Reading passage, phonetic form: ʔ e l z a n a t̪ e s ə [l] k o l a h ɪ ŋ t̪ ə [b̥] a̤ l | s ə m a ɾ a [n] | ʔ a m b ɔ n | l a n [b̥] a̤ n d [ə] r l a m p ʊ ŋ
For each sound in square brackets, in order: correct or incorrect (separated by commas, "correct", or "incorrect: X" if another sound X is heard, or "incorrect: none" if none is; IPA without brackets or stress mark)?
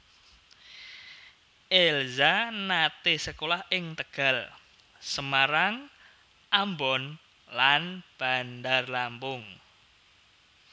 incorrect: none, incorrect: ɡ̥, incorrect: ŋ, correct, incorrect: a